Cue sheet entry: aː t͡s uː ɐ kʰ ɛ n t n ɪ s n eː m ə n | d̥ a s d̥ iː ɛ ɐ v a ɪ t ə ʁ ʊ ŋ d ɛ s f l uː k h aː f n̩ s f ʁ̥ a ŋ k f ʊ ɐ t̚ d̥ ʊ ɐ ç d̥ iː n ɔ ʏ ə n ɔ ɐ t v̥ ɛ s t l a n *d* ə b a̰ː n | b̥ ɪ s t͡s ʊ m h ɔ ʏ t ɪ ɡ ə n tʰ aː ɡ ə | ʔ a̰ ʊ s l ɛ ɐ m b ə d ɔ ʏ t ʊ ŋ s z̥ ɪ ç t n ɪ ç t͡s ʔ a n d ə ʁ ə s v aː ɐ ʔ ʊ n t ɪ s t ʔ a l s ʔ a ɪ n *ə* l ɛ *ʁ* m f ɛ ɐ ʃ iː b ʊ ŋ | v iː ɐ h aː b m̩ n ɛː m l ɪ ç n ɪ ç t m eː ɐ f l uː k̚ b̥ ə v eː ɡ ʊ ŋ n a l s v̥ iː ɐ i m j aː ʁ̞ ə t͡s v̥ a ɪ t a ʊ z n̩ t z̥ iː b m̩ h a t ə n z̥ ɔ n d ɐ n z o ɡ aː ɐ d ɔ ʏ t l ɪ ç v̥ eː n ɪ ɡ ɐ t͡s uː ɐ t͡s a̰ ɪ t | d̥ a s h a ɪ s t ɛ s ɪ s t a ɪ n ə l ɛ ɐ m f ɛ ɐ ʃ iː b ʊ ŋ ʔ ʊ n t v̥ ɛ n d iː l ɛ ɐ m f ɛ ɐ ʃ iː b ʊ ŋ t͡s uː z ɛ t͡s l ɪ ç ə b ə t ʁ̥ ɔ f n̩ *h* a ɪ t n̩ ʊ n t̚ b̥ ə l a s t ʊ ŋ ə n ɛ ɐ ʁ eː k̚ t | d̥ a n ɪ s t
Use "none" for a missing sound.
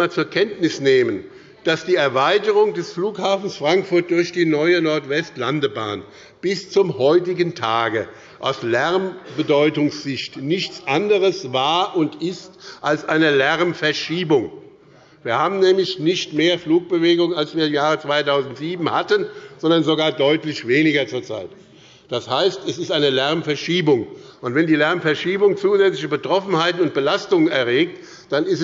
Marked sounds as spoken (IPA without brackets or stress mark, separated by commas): d, ə, ʁ, h